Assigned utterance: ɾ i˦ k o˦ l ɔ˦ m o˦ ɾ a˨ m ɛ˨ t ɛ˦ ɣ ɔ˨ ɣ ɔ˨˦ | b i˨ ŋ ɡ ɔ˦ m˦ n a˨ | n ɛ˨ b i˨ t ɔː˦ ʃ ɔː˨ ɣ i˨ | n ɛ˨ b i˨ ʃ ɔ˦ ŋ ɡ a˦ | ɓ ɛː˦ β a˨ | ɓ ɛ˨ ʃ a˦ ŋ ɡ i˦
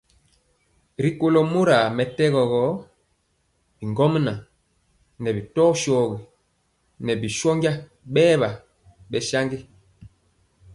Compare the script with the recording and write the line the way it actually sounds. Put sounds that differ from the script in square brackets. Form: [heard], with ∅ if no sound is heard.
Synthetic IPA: ɾ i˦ k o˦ l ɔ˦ m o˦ ɾ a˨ m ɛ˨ t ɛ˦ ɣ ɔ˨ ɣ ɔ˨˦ | b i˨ ŋ ɡ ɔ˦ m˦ n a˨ | n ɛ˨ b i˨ t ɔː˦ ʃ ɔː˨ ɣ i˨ | n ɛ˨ b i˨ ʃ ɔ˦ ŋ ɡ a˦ | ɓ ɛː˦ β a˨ | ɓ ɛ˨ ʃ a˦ ŋ ɡ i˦